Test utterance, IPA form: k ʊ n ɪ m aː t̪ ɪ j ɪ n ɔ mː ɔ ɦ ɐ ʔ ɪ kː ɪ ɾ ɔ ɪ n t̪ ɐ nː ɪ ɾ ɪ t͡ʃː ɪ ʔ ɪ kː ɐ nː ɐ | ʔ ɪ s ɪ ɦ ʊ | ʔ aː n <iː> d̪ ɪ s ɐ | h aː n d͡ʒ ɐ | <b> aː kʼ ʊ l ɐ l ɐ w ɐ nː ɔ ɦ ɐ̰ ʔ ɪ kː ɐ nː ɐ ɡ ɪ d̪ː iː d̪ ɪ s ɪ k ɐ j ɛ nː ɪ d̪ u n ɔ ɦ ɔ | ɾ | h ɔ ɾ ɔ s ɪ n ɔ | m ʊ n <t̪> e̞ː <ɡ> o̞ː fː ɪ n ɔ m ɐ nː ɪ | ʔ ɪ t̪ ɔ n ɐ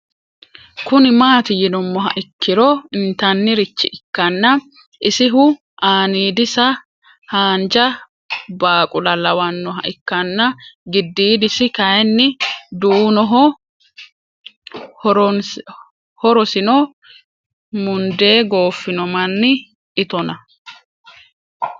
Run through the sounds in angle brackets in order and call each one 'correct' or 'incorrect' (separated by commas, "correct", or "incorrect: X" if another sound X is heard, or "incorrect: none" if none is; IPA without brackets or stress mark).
correct, correct, incorrect: d̪, correct